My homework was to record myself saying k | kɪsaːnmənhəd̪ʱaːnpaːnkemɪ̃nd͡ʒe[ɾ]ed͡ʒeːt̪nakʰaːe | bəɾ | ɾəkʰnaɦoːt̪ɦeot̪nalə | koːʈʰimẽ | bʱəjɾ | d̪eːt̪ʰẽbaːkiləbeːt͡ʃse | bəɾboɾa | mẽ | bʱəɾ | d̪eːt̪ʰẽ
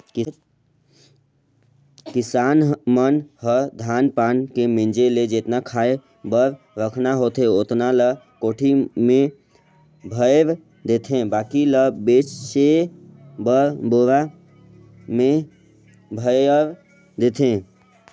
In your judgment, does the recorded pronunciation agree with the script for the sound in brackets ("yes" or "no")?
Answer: no